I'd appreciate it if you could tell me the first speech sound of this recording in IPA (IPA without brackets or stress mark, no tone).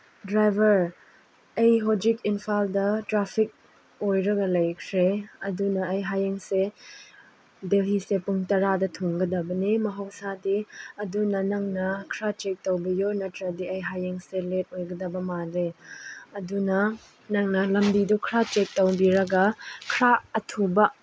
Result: d